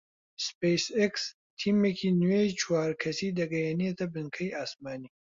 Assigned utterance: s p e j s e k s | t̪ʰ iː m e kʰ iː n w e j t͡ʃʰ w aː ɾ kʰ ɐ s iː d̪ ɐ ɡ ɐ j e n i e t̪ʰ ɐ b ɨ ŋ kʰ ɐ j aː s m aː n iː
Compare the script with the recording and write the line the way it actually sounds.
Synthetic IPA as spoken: s p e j s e k s | t̪ʰ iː m e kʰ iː n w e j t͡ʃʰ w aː ɾ kʰ ɐ s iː d̪ ɐ ɡ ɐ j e n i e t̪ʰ ɐ b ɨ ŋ kʰ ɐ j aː s m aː n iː